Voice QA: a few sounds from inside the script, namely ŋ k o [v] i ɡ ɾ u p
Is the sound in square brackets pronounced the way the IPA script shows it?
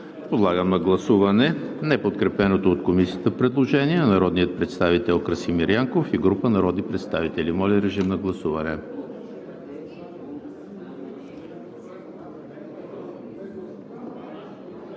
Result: no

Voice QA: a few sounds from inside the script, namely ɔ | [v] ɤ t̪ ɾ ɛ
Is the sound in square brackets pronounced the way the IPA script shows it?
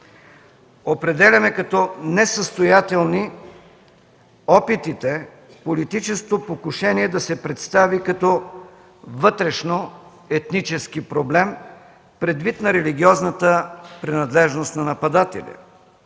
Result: yes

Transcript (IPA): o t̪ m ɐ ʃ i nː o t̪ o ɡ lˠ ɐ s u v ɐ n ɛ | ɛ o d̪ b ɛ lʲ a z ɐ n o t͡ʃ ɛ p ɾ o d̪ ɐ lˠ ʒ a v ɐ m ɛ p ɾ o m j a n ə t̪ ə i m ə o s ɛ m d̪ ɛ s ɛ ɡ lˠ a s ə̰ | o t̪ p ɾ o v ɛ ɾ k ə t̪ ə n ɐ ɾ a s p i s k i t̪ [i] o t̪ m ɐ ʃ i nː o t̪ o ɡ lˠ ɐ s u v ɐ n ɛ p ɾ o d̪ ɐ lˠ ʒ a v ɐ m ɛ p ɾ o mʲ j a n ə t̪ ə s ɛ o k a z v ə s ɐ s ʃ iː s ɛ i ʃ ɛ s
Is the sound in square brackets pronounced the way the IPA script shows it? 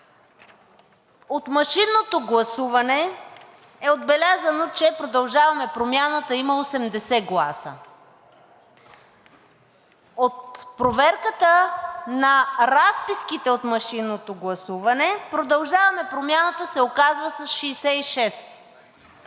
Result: no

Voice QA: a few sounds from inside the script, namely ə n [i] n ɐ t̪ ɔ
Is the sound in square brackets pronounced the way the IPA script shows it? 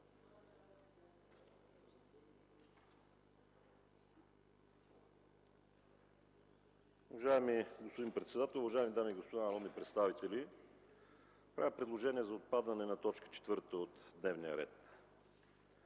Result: no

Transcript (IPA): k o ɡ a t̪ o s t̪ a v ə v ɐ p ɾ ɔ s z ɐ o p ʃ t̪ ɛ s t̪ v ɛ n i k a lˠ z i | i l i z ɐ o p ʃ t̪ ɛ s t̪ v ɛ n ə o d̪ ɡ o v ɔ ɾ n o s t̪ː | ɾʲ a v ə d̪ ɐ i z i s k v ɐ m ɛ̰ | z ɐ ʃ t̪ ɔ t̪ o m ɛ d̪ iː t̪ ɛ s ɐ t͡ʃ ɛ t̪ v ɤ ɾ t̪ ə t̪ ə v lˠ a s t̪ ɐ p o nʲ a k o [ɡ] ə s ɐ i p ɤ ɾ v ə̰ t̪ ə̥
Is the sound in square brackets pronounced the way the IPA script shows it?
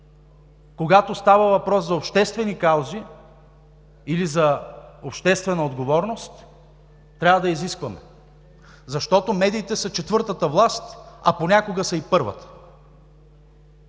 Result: yes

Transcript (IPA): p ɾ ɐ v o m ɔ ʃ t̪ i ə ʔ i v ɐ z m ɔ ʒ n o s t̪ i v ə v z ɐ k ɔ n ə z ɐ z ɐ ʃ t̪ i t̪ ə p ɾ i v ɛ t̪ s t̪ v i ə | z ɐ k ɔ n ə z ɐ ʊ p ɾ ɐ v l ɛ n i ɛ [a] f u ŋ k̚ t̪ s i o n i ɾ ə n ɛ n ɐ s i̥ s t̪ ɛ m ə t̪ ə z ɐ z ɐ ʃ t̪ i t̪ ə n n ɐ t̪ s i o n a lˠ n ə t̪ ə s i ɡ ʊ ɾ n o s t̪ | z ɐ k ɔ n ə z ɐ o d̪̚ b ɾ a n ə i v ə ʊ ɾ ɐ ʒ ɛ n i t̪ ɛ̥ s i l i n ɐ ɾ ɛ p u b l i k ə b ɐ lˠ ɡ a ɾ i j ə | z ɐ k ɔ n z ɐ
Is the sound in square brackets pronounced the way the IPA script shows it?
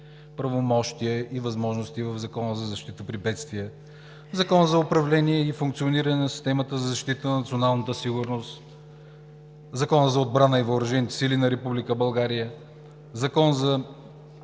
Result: no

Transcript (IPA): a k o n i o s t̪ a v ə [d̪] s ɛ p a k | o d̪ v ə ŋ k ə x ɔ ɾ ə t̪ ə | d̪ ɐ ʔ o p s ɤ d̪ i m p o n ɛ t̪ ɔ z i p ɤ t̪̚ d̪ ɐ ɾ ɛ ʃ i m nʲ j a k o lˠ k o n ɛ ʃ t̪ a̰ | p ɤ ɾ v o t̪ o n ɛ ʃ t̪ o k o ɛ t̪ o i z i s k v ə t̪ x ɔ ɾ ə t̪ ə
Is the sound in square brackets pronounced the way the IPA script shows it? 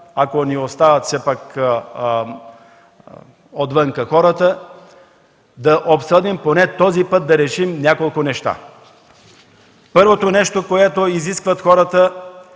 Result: no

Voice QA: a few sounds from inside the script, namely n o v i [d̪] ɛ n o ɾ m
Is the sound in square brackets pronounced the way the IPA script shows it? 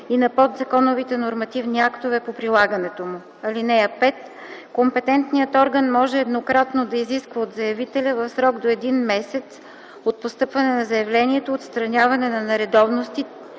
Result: no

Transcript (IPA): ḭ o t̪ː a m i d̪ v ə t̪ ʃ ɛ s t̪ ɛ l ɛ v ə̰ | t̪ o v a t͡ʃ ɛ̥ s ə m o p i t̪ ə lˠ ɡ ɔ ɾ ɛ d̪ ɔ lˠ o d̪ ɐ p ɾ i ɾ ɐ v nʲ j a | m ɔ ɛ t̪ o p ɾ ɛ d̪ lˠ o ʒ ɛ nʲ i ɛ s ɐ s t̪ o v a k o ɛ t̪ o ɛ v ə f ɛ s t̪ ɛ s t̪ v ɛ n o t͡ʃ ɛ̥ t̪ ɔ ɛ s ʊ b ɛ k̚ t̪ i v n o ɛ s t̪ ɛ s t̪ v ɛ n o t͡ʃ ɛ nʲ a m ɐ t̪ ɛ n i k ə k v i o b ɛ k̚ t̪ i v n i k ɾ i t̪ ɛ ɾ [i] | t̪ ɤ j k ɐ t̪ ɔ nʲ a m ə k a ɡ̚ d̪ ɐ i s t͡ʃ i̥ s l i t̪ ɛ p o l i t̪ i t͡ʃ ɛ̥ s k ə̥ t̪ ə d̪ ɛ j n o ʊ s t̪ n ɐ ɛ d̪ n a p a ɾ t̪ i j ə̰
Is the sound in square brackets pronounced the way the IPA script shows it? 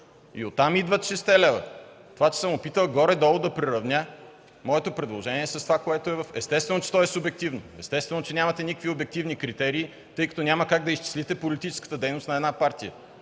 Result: no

